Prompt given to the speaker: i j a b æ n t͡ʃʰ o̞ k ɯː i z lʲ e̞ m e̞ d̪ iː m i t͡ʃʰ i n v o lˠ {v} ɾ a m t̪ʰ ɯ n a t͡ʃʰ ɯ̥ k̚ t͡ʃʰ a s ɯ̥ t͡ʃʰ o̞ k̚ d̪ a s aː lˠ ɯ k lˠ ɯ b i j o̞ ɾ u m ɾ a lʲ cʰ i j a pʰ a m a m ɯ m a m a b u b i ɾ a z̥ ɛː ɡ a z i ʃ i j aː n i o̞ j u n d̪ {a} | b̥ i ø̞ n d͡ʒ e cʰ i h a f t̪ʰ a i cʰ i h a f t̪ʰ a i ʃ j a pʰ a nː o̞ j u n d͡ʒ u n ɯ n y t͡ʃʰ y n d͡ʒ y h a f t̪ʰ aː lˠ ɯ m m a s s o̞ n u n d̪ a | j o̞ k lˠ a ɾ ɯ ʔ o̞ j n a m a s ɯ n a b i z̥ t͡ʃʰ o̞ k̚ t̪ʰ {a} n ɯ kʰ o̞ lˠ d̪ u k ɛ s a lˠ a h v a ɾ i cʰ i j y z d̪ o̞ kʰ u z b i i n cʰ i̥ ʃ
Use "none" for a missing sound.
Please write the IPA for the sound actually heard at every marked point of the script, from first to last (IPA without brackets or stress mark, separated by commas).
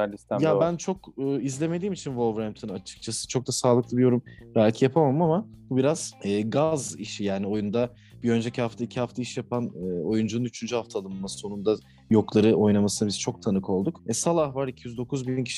v, a, a